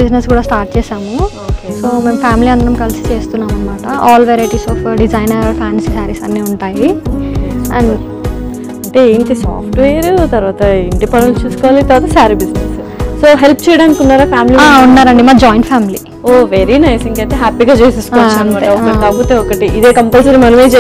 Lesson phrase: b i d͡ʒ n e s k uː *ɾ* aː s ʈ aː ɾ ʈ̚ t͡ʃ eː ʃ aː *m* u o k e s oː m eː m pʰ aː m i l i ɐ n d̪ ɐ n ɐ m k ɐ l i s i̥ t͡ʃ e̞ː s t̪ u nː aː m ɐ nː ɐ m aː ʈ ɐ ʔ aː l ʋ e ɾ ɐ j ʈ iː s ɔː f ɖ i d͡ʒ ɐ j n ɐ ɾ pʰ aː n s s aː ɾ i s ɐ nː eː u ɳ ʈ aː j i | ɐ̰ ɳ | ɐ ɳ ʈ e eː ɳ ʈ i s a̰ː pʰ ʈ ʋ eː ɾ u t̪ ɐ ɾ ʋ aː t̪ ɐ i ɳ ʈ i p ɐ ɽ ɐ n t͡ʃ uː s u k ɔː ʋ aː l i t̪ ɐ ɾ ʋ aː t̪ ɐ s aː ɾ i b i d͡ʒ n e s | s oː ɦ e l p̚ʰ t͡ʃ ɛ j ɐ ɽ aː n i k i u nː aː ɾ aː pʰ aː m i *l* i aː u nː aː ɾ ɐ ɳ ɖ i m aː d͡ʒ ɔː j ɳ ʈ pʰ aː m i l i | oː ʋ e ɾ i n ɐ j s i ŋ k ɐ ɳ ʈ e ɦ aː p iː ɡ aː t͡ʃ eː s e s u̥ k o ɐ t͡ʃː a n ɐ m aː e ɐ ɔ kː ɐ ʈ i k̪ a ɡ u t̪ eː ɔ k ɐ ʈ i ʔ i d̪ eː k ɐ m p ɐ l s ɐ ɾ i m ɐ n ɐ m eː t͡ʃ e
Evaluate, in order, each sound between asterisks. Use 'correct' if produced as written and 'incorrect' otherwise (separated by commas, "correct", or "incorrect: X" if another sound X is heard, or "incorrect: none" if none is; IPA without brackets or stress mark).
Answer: incorrect: ɽ, correct, correct